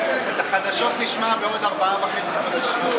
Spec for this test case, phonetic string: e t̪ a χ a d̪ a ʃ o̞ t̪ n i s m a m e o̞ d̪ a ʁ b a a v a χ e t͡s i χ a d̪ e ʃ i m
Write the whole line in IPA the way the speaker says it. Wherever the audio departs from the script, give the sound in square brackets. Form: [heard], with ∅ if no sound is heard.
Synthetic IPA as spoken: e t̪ a χ a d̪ a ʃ o̞ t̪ n i [ʃ] m a [b] e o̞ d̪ a ʁ b a a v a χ e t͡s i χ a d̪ [a] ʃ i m